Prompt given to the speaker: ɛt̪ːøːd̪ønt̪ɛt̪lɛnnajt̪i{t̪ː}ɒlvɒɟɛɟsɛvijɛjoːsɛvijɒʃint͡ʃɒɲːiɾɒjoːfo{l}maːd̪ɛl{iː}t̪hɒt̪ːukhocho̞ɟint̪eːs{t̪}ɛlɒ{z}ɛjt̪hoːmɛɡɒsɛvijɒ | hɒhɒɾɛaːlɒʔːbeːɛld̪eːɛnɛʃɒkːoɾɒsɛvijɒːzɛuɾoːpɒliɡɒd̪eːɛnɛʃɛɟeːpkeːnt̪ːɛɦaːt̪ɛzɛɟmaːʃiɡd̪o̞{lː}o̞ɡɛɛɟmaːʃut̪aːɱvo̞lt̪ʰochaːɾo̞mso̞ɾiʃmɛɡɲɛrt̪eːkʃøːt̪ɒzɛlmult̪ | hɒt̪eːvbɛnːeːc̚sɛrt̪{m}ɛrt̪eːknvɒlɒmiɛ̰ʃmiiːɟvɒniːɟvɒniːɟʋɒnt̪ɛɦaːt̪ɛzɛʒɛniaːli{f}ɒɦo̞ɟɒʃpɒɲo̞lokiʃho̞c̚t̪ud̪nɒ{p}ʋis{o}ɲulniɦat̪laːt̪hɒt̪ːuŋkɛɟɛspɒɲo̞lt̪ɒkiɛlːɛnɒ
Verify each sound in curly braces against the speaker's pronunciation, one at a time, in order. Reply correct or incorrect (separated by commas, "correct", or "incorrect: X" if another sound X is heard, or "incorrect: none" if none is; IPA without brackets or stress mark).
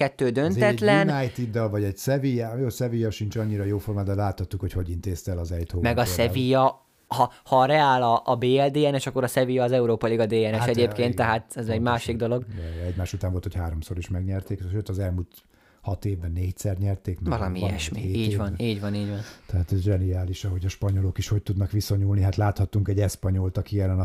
incorrect: d̪ː, incorrect: r, incorrect: aː, correct, correct, incorrect: l, incorrect: ɲ, incorrect: ʃ, incorrect: k, correct